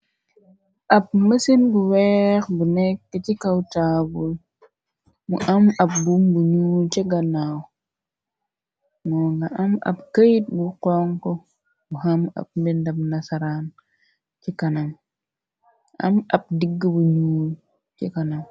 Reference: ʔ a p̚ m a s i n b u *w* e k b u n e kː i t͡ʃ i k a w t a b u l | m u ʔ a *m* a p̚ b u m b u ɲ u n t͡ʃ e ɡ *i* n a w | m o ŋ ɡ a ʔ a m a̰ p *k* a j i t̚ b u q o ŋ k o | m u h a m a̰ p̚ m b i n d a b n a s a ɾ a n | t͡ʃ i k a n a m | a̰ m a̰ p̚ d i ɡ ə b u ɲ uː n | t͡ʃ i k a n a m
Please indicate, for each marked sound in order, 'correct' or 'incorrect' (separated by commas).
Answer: correct, correct, incorrect, correct